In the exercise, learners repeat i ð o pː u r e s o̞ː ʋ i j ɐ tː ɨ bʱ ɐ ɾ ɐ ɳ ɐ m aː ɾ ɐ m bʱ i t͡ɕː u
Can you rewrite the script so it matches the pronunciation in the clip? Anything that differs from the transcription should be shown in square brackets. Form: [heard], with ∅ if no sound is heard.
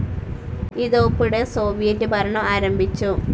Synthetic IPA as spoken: i ð o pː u [ɽ] e s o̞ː ʋ i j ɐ tː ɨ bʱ ɐ ɾ ɐ ɳ ɐ m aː ɾ ɐ m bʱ i t͡ɕː u